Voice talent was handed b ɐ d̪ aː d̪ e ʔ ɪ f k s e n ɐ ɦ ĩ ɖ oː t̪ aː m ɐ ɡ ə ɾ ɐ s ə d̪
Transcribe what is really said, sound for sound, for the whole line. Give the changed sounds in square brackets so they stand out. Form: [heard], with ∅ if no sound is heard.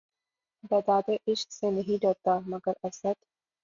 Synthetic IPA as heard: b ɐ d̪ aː d̪ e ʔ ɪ [ʃ] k s e n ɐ ɦ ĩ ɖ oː t̪ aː m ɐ ɡ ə ɾ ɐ s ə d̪

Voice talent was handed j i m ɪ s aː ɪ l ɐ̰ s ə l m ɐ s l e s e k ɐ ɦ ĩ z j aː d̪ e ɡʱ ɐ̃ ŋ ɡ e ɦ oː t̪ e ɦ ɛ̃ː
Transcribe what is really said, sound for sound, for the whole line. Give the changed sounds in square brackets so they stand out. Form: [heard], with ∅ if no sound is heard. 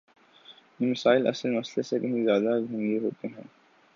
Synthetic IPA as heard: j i m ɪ s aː ɪ l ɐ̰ s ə l m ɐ s l e s e k ɐ ɦ ĩ z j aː d̪ [a] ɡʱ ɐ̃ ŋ ɡ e ɦ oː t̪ e ɦ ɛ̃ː

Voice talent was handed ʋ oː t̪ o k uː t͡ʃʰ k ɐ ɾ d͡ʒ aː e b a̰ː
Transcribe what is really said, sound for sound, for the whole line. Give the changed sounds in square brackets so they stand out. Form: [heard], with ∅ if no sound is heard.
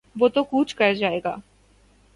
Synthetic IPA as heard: ʋ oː t̪ o k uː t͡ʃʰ k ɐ ɾ d͡ʒ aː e [ɡ] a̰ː

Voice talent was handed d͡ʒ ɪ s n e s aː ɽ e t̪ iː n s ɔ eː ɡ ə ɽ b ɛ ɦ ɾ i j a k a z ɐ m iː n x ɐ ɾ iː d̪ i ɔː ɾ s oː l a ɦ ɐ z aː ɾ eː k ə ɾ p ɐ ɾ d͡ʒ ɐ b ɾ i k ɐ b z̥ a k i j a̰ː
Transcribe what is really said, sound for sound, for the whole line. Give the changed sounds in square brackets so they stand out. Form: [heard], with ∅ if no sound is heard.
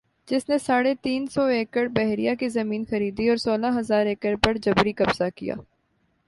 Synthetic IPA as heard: d͡ʒ ɪ s n e s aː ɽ e t̪ iː n s ɔ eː [k] ə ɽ b ɛ ɦ ɾ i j a k [i] z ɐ m iː n x ɐ ɾ iː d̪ i ɔː ɾ s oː l a ɦ ɐ z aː ɾ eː k ə ɾ p ɐ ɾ d͡ʒ ɐ b ɾ i k ɐ b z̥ a k i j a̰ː

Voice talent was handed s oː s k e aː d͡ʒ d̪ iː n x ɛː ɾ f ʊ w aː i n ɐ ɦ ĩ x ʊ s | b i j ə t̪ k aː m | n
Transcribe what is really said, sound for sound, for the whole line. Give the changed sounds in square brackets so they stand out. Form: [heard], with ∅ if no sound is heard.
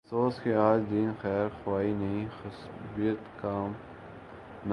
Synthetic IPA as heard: s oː s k e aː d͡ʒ d̪ iː n x ɛː ɾ [x] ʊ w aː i n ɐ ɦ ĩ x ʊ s | b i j ə t̪ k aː m | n

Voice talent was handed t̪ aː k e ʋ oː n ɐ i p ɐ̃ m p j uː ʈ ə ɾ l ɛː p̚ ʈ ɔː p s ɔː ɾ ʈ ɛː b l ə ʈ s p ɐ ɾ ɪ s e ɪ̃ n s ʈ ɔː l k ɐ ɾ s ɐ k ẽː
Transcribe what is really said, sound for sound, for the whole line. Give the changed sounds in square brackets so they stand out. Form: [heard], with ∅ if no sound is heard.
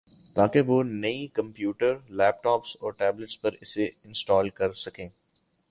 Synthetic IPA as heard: t̪ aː k e ʋ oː n ɐ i [k] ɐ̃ m p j uː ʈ ə ɾ l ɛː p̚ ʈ ɔː p s ɔː ɾ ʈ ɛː b l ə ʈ s p ɐ ɾ ɪ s e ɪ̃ n s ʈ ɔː l k ɐ ɾ s ɐ k ẽː

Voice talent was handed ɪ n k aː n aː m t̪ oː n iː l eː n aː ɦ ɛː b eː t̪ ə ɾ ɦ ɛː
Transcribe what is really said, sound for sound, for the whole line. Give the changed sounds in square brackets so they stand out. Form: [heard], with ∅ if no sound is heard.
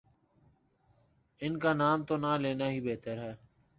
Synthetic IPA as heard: ɪ n k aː n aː m t̪ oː n [aː] l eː n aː ɦ [iː] b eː t̪ ə ɾ ɦ ɛː

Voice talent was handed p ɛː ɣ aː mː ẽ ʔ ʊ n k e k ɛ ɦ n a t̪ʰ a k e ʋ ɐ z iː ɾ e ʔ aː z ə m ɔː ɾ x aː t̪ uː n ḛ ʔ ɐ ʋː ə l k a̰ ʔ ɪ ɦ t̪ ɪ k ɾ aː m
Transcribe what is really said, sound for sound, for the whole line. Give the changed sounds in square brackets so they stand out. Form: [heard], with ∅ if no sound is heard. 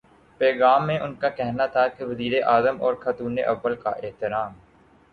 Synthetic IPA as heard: p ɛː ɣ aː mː ẽ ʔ ʊ n k [a] k ɛ ɦ n a t̪ʰ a k e ʋ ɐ z iː ɾ e ʔ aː z ə m ɔː ɾ x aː t̪ uː n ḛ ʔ ɐ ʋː ə l k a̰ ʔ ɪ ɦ t̪ ɪ [∅] ɾ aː m

